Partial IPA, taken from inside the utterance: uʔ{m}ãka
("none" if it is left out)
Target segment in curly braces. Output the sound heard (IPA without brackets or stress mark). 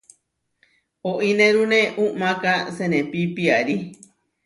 m